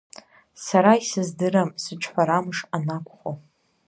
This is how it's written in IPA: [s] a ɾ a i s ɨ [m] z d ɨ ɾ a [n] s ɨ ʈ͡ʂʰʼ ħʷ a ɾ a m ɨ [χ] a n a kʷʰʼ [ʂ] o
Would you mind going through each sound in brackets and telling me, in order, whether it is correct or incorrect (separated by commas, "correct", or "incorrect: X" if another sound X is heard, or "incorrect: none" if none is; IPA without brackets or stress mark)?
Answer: correct, incorrect: none, incorrect: m, incorrect: ʂ, incorrect: χ